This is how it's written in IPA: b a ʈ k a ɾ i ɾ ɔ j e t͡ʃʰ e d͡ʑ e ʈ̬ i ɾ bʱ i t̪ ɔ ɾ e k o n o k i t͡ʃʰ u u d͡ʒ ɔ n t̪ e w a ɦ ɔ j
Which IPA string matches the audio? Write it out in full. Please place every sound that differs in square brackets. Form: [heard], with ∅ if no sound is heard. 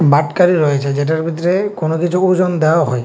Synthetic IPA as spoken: b a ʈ k a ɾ i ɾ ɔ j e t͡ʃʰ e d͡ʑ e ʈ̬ [a] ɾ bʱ i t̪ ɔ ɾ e k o n o k i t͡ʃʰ u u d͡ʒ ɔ n [d̪] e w a ɦ ɔ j